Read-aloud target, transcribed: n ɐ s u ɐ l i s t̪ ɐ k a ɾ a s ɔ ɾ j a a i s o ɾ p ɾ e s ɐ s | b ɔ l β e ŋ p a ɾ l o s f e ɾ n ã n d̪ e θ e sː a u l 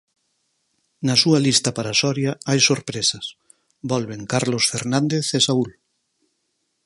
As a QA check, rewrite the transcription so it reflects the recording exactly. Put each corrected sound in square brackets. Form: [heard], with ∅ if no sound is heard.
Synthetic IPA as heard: n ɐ s u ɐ l i s t̪ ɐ [p] a ɾ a s ɔ ɾ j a a [j] s o ɾ p ɾ e s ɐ s | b ɔ l β e ŋ [k] a ɾ l o s f e ɾ n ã n d̪ e θ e [s] a u l